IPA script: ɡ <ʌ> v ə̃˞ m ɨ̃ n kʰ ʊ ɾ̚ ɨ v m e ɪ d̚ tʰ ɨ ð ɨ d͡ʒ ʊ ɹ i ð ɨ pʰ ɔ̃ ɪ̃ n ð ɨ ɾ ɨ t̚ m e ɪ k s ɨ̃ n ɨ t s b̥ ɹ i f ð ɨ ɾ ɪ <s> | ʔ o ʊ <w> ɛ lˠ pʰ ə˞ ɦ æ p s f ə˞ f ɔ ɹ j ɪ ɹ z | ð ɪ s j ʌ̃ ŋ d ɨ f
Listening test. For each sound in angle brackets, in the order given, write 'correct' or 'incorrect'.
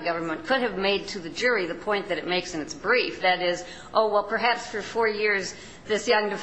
correct, incorrect, correct

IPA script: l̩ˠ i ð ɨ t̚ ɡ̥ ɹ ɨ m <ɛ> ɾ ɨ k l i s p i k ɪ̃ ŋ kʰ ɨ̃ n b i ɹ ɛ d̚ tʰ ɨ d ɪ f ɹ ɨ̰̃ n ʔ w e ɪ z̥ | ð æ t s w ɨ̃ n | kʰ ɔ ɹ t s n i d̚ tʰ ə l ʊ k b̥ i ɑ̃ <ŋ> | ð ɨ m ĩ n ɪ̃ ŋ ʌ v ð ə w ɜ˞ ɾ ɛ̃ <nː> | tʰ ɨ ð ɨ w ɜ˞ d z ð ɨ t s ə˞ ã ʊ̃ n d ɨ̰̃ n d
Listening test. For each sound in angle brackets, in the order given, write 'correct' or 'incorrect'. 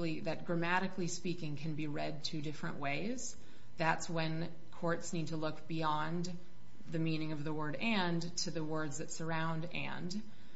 incorrect, incorrect, incorrect

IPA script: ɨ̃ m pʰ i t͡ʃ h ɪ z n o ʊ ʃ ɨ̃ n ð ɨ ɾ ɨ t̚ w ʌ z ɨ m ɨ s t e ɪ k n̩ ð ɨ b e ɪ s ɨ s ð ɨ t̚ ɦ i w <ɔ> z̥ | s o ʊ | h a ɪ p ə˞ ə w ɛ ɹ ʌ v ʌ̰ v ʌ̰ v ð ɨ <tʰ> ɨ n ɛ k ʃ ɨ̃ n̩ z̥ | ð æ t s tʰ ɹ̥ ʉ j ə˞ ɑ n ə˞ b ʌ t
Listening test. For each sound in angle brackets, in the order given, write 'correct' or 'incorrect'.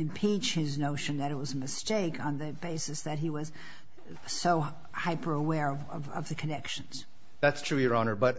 incorrect, incorrect

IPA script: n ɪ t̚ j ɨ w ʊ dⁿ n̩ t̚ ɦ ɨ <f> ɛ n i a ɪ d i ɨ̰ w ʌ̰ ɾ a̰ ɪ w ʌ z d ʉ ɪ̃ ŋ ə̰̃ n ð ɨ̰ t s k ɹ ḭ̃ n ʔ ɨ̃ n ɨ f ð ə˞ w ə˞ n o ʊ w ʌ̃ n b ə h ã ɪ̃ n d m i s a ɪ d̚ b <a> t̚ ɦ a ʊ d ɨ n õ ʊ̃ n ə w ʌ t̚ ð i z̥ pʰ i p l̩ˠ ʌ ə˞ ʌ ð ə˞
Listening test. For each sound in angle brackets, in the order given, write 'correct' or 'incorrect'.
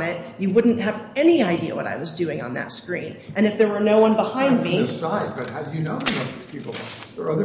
incorrect, incorrect

